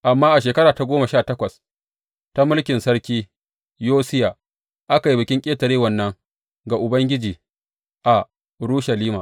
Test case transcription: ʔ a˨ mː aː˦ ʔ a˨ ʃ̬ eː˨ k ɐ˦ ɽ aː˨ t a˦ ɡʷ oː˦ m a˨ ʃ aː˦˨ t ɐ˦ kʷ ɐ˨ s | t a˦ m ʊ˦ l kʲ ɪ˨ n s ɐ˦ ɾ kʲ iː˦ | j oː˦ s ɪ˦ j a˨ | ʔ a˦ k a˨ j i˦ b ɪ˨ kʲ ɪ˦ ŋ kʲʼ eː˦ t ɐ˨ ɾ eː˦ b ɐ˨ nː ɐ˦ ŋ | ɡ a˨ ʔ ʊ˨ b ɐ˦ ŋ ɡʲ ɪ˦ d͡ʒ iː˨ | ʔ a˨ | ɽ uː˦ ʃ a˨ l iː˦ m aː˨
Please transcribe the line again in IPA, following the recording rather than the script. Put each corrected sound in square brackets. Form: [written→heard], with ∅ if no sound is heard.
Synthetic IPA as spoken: ʔ a˨ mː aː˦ ʔ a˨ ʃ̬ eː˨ k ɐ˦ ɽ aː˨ t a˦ ɡʷ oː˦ m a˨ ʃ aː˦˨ t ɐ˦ kʷ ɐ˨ s | t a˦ m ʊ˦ l kʲ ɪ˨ n s ɐ˦ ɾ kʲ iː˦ | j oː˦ s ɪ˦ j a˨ | ʔ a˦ k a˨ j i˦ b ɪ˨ kʲ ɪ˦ ŋ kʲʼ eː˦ t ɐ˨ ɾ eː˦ [b→w] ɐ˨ nː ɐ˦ ŋ | ɡ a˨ ʔ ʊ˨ b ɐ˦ ŋ ɡʲ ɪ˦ d͡ʒ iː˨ | ʔ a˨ | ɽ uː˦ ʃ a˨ l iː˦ m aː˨